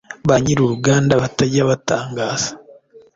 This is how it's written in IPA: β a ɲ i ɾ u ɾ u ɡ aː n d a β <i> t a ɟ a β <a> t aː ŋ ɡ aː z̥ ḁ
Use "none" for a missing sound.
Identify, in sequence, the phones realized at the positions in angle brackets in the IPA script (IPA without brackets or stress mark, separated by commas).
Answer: a, a